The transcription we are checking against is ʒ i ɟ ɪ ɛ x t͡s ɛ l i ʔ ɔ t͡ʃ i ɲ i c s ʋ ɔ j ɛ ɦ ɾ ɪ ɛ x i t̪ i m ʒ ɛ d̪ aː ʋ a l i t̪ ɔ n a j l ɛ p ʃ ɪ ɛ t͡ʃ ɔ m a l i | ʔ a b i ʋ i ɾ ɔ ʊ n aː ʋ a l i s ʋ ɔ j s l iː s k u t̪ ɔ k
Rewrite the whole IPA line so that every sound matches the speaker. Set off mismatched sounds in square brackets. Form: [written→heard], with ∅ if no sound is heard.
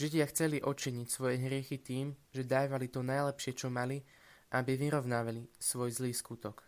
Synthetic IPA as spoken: ʒ i ɟ ɪ [ɛ→a] x t͡s ɛ l i ʔ ɔ t͡ʃ i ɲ i c s ʋ ɔ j ɛ ɦ ɾ ɪ ɛ x i t̪ [i→iː] m ʒ ɛ d̪ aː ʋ a l i t̪ ɔ n a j l ɛ p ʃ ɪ ɛ t͡ʃ ɔ m a l i | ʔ a b i ʋ i ɾ ɔ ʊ n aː ʋ a l i s ʋ ɔ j [s→z] l iː s k u t̪ ɔ k